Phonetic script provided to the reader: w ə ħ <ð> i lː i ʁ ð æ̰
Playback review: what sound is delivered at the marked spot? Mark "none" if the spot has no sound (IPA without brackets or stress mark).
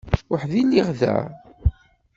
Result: ð